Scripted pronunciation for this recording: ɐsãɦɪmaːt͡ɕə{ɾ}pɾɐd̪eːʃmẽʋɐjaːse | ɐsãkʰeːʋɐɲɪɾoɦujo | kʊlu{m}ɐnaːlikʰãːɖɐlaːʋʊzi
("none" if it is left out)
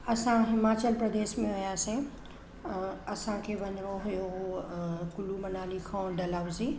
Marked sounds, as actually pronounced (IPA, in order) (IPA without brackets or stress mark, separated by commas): l, m